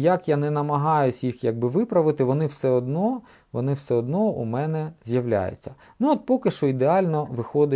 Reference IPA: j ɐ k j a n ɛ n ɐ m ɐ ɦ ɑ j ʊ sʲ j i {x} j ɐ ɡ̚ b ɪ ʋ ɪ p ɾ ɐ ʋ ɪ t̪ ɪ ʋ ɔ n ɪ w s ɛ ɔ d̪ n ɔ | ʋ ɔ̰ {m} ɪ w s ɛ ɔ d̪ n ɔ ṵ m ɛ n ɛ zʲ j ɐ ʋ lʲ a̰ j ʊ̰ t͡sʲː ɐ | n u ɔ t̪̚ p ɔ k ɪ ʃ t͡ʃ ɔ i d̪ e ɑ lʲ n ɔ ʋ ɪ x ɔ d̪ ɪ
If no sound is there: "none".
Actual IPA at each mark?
x, n

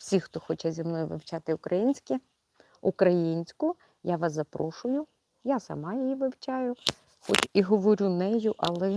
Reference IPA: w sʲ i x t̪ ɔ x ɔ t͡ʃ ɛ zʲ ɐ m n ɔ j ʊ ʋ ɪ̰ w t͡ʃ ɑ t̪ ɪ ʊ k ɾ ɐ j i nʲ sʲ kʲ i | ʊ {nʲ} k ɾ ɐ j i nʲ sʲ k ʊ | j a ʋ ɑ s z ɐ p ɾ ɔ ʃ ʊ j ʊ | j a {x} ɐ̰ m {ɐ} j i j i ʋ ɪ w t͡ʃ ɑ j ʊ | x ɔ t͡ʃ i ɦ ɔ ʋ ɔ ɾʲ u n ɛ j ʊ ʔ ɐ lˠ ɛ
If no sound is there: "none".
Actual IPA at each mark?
none, s, ɑ

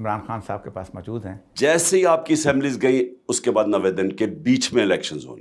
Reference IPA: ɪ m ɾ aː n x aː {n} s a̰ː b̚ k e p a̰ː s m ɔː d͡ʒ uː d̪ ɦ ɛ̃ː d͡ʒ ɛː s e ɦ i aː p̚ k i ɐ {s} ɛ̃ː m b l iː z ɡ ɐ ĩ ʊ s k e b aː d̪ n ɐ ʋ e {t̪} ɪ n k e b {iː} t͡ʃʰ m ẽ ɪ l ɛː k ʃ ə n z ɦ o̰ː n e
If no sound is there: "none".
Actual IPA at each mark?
n, s, d̪, iː

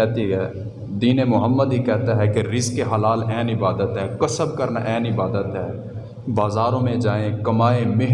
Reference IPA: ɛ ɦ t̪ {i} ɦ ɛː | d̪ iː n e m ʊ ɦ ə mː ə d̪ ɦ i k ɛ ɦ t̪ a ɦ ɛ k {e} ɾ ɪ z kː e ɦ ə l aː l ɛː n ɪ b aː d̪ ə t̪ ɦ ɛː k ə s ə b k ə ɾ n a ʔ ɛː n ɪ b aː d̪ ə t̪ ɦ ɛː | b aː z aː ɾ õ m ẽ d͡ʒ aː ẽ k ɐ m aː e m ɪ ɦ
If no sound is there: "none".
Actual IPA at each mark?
i, e

